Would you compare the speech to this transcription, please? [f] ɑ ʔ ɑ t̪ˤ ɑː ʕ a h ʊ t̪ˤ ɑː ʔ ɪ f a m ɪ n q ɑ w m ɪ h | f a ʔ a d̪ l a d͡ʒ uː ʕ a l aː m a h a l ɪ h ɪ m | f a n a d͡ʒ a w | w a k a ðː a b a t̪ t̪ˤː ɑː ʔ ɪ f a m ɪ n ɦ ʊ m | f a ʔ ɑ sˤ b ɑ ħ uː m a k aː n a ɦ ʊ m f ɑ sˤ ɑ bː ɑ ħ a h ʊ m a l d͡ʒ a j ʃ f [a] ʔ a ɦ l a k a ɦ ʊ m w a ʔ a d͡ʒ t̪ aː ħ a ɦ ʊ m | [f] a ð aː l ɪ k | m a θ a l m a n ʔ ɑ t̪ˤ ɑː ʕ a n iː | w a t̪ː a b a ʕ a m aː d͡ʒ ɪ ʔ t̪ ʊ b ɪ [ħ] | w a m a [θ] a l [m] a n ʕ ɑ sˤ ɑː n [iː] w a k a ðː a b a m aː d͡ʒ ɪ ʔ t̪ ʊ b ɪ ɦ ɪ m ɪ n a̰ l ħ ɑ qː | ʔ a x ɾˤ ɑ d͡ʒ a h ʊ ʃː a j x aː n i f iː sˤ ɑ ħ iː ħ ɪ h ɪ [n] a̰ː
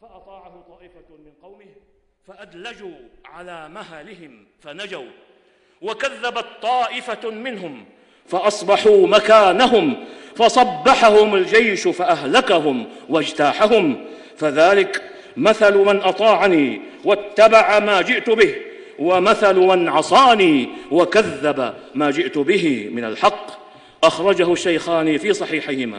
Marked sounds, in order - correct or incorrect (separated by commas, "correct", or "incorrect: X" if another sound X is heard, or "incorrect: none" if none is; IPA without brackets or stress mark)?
correct, correct, correct, incorrect: h, correct, correct, correct, incorrect: m